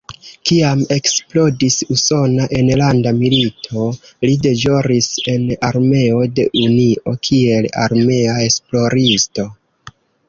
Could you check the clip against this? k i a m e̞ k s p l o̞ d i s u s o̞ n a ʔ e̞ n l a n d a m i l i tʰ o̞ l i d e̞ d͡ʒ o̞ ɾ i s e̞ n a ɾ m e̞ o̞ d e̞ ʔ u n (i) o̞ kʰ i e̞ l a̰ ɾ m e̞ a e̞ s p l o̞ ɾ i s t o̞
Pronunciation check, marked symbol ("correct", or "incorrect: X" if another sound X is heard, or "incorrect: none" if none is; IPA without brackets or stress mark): correct